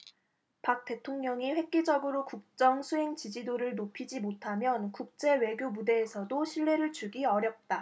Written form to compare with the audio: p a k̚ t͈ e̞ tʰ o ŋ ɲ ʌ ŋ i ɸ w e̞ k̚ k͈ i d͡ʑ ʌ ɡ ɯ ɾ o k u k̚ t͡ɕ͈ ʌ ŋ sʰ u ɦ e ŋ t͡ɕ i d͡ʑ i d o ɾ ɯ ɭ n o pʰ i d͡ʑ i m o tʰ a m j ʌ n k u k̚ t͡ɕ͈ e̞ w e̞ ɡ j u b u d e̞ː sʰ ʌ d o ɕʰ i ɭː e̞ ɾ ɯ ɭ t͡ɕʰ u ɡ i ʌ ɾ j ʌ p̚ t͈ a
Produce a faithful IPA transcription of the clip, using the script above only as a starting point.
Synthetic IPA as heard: p a k̚ t͈ e̞ tʰ o ŋ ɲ ʌ ŋ i ɸ w e̞ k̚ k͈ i d͡ʑ ʌ ɡ ɯ ɾ o k u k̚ t͡ɕ͈ ʌ ŋ sʰ u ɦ e ŋ t͡ɕ i d͡ʑ i d o ɾ ɯ ɭ n o pʰ i d͡ʑ i m o tʰ a m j ʌ n k u k̚ t͡ɕ͈ e̞ w e̞ ɡ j o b u d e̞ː sʰ ʌ d o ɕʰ i ɭː e̞ ɾ ɯ ɭ t͡ɕ u ɡ i ʌ ɾ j ʌ p̚ t͈ a